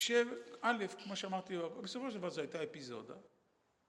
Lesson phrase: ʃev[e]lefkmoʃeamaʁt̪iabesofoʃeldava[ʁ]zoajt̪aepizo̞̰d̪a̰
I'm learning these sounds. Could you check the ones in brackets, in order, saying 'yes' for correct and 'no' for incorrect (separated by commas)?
no, yes